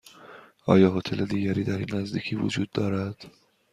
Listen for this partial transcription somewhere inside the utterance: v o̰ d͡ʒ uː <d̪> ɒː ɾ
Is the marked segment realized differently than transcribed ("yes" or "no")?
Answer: yes